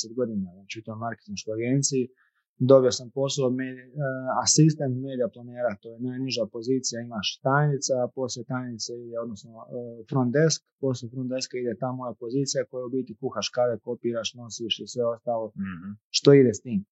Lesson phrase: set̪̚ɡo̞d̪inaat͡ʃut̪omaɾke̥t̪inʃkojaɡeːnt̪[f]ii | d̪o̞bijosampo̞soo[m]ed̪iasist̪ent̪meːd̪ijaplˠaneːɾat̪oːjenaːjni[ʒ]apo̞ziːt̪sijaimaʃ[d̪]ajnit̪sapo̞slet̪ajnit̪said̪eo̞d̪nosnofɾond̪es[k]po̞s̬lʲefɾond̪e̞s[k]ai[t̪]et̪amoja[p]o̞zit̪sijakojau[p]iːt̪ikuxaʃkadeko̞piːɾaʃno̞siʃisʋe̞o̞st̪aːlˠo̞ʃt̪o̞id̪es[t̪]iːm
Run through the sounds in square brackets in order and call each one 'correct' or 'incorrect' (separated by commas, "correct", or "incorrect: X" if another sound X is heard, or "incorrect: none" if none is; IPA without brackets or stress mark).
incorrect: s, correct, correct, incorrect: t̪, correct, correct, incorrect: d̪, correct, incorrect: b, correct